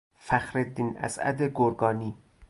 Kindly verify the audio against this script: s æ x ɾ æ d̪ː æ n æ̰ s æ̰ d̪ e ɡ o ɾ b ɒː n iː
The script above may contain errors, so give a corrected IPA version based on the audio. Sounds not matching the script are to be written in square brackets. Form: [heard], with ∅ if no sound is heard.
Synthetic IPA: [f] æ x ɾ [e] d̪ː [i] n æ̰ s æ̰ d̪ e ɡ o ɾ [ɡ] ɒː n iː